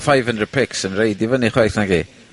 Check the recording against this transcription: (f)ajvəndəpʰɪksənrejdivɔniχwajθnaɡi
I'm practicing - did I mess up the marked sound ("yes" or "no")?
no